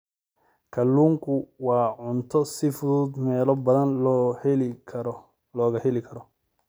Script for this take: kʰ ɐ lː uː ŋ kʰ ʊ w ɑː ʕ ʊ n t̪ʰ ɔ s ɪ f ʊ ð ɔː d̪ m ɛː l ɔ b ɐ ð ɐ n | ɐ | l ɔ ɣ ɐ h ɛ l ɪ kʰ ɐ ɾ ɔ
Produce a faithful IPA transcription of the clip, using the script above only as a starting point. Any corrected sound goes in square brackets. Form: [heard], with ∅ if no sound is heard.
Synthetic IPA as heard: kʰ ɐ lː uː ŋ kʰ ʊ w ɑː ʕ ʊ n t̪ʰ ɔ s ɪ f ʊ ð [uː] d̪ m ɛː l ɔ b ɐ ð ɐ n | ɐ | l [ɔː] ɣ ɐ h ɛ l ɪ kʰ ɐ ɾ ɔ